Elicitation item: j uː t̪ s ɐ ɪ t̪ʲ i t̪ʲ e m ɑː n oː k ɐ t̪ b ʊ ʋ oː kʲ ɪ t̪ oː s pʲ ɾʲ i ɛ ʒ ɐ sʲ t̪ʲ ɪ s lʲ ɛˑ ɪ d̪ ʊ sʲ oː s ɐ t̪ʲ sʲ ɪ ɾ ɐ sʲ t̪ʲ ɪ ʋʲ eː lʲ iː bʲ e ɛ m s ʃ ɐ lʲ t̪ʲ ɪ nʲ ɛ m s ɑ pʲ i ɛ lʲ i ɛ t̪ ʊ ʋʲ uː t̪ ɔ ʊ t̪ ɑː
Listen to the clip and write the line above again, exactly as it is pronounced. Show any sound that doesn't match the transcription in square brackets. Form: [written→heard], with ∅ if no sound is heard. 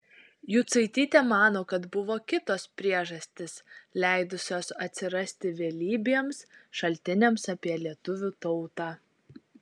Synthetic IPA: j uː t̪ s ɐ ɪ t̪ʲ [i→iː] t̪ʲ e m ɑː n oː k ɐ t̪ b ʊ ʋ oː kʲ ɪ t̪ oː s pʲ ɾʲ i ɛ ʒ ɐ sʲ t̪ʲ ɪ s lʲ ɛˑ ɪ d̪ ʊ sʲ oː s ɐ t̪ʲ sʲ ɪ ɾ ɐ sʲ t̪ʲ ɪ ʋʲ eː lʲ iː bʲ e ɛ m s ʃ ɐ lʲ t̪ʲ ɪ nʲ ɛ m s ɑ pʲ i ɛ lʲ i ɛ t̪ ʊ ʋʲ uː t̪ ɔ ʊ t̪ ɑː